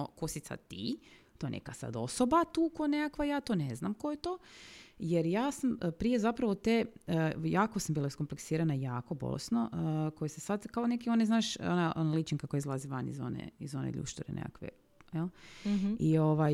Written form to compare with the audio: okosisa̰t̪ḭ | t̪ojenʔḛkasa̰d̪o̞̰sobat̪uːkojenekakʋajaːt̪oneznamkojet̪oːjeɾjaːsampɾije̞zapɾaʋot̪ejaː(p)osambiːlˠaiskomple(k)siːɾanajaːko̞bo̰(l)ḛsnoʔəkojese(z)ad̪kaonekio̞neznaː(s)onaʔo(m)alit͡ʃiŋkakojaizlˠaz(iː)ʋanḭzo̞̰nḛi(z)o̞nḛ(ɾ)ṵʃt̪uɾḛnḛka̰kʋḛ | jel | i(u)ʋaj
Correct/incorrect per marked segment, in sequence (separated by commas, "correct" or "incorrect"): incorrect, correct, correct, incorrect, incorrect, incorrect, incorrect, correct, incorrect, incorrect